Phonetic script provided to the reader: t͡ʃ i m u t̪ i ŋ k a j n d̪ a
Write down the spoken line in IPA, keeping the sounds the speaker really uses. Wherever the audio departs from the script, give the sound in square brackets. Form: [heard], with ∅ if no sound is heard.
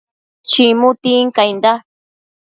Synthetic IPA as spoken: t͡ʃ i m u t̪ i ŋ k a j n d̪ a